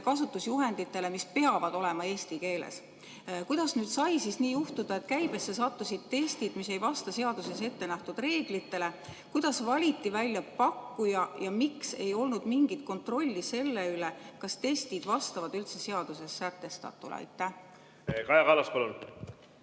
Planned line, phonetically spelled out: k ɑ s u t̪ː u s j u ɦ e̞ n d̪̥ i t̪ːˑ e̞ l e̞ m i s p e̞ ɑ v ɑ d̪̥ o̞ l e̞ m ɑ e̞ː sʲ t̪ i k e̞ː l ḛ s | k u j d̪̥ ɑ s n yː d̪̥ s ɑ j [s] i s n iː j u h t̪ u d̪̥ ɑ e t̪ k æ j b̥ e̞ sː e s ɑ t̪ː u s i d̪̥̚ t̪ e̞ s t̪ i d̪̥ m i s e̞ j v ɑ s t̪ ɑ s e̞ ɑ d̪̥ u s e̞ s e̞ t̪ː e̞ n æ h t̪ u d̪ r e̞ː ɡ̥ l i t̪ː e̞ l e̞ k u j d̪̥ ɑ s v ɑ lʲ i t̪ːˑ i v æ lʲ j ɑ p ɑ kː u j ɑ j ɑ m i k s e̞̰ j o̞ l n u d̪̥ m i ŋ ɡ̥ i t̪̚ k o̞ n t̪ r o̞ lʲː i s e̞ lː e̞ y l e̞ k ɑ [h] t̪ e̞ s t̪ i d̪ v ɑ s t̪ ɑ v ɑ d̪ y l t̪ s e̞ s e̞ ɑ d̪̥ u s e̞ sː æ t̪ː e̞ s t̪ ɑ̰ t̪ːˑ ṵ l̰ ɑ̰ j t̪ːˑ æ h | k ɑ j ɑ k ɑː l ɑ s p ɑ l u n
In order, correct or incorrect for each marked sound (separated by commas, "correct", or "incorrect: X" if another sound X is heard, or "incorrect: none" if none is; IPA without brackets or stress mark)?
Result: correct, incorrect: s